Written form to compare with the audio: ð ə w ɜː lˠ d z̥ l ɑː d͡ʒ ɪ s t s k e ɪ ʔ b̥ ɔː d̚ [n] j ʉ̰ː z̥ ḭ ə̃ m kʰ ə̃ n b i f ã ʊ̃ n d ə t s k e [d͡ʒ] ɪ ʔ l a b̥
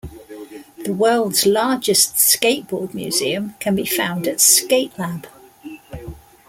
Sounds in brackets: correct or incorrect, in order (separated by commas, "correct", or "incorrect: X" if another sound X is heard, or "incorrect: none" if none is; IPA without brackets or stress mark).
incorrect: m, incorrect: none